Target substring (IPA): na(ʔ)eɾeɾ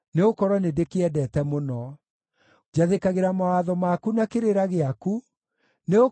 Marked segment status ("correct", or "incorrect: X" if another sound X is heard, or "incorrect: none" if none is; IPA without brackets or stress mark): incorrect: k